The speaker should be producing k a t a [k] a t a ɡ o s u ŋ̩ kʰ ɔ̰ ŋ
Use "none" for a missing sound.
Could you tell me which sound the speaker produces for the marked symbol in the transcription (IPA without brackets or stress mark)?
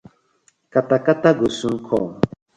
k